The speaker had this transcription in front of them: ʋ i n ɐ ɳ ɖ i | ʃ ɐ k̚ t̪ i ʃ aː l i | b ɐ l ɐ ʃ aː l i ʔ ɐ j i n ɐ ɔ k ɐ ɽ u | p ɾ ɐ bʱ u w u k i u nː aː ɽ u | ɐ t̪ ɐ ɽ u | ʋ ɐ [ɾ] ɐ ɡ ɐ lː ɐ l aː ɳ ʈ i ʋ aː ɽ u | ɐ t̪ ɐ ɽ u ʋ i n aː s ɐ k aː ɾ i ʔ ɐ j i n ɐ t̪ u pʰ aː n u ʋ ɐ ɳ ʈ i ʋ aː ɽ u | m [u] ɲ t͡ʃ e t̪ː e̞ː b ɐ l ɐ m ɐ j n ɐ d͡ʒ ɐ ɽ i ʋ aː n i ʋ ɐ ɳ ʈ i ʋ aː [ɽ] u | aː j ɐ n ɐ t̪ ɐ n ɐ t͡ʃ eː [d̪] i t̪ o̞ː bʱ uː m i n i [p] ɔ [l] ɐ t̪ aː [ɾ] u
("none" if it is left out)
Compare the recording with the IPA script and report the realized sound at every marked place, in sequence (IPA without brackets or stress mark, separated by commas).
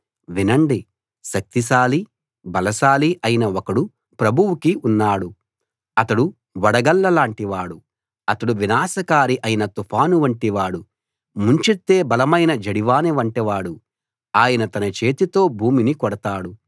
ɽ, u, ɽ, t̪, k, ɽ, ɽ